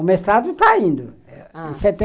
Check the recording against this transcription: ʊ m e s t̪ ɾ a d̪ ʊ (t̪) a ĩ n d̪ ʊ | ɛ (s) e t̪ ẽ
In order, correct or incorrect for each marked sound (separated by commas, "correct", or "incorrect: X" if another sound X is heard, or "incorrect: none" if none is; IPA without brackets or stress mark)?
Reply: correct, correct